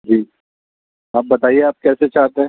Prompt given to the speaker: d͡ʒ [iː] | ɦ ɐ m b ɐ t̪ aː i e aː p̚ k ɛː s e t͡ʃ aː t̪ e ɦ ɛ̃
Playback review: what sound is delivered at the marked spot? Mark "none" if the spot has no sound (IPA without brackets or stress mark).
iː